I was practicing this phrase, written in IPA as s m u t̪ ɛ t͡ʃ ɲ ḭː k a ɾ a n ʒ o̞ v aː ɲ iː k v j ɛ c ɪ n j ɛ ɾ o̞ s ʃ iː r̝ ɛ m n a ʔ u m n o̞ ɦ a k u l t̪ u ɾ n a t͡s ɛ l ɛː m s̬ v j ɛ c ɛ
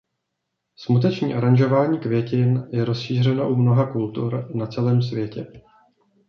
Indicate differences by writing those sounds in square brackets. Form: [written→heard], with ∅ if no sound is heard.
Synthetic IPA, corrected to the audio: s m u t̪ ɛ t͡ʃ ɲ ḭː [k→ʔ] a ɾ a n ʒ o̞ v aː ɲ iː k v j ɛ c ɪ n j ɛ ɾ o̞ s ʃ iː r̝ ɛ [m→∅] n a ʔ u m n o̞ ɦ a k u l t̪ u ɾ n a t͡s ɛ l ɛː m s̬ v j ɛ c ɛ